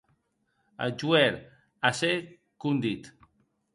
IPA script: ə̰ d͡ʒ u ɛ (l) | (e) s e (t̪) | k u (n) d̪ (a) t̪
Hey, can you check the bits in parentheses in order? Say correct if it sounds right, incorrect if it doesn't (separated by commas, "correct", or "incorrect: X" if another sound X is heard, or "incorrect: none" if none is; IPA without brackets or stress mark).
incorrect: ɾ, incorrect: a, incorrect: none, correct, incorrect: i